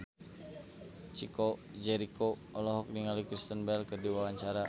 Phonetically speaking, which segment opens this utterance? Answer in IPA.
t͡ʃ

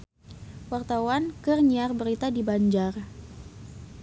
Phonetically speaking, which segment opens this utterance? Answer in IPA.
w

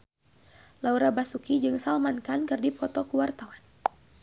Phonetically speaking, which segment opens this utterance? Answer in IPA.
l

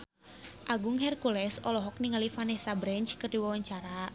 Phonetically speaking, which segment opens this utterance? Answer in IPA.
ʔ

